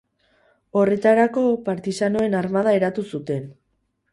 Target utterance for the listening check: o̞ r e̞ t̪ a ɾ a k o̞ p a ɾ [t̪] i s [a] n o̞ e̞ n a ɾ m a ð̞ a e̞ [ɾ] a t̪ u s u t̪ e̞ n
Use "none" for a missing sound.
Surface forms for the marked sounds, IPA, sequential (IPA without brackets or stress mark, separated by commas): t̪, a, ɾ